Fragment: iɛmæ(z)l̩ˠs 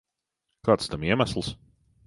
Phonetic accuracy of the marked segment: incorrect: s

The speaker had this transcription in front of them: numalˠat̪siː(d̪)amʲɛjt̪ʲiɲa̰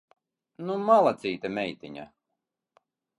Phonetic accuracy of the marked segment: incorrect: t̪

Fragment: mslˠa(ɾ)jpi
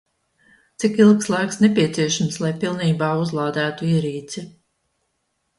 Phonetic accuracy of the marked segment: incorrect: none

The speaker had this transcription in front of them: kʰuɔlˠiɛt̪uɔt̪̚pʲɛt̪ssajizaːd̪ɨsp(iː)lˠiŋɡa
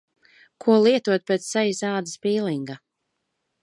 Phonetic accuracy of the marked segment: correct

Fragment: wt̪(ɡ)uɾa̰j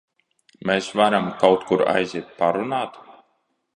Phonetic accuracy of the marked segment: incorrect: k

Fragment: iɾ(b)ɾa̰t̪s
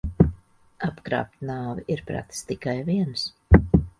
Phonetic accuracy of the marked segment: incorrect: p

